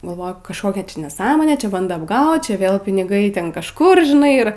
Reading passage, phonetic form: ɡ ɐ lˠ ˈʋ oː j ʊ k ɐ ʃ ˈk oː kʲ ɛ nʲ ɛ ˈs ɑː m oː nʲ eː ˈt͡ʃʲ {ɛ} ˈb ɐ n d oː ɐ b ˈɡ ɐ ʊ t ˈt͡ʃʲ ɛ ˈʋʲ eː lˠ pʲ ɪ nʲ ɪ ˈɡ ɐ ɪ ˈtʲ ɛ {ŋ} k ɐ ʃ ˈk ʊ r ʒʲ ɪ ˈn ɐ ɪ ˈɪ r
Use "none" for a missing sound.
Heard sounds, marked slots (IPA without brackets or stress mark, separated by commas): ɛ, n